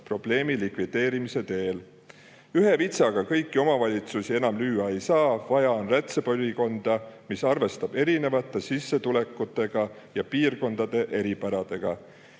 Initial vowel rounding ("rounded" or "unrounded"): rounded